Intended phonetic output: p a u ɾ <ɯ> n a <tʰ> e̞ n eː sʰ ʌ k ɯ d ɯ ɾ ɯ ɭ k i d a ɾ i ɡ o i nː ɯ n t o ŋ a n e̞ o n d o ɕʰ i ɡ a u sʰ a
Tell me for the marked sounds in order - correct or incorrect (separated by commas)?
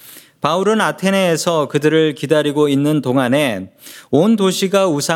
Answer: correct, correct